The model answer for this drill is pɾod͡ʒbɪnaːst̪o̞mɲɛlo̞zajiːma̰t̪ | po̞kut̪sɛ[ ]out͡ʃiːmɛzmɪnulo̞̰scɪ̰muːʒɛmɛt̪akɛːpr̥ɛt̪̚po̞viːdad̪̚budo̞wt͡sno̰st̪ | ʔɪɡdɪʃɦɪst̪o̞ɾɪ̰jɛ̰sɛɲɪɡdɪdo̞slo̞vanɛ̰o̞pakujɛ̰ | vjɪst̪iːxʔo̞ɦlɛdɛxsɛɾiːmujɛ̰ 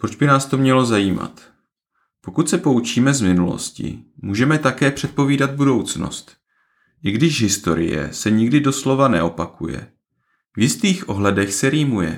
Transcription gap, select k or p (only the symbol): p